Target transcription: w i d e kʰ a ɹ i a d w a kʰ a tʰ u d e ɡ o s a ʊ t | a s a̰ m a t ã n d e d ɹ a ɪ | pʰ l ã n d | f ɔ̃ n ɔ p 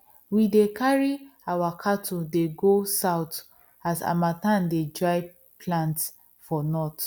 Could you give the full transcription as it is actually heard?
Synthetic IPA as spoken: w i d e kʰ a ɹ i a w a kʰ a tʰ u d e ɡ o s a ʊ t | a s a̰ m a t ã n d e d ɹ a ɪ | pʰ l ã n t | f ɔ n ɔ t